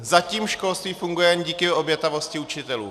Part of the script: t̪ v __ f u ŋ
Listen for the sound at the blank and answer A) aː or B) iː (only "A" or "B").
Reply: B